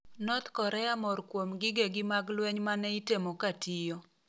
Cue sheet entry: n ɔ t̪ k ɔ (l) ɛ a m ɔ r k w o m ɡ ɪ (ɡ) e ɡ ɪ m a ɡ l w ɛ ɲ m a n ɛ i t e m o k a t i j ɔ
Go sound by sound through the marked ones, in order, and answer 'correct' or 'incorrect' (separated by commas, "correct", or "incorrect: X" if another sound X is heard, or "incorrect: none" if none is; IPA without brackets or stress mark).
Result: incorrect: ɾ, correct